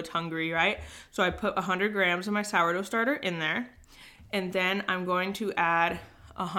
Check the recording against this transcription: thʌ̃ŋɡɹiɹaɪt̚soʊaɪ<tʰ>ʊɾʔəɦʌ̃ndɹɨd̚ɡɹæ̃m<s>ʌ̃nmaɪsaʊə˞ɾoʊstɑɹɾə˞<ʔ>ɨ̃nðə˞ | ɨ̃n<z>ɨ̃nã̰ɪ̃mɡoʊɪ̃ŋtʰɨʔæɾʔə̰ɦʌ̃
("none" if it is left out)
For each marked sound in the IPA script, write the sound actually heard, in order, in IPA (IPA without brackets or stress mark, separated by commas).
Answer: pʰ, z, ʔ, ð